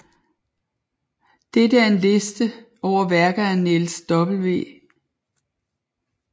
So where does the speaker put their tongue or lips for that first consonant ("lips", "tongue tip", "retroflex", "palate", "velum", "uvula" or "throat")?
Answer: tongue tip